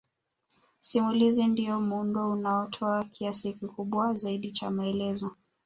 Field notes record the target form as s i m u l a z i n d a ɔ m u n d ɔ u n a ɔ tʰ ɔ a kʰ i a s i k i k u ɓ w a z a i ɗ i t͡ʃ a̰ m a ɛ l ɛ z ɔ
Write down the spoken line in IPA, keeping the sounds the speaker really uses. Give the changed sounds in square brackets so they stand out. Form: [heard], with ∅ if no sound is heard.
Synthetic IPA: s i m u l [i] z i n d [i] ɔ m u n d ɔ u n a ɔ tʰ ɔ a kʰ i a s i k i k u ɓ w a z a i ɗ i t͡ʃ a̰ m a ɛ l ɛ z ɔ